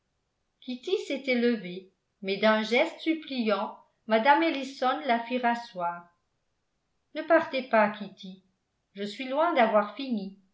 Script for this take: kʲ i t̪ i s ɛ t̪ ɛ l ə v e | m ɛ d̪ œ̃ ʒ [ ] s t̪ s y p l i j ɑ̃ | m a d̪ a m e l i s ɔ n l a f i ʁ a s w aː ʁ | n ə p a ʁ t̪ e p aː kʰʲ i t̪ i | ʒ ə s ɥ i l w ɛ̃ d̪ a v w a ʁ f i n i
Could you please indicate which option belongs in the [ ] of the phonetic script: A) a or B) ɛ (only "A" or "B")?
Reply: B